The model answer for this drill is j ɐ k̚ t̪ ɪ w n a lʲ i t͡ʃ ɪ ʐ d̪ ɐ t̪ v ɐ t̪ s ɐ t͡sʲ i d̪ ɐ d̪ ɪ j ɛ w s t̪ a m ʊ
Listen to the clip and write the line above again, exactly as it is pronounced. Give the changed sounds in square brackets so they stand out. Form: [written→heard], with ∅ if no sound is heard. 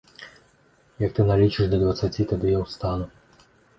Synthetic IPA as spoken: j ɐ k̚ t̪ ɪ [w→∅] n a lʲ i t͡ʃ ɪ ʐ d̪ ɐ [t̪→d̪] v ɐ t̪ s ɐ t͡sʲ i [d̪→t̪] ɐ d̪ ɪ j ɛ w s t̪ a [m→n] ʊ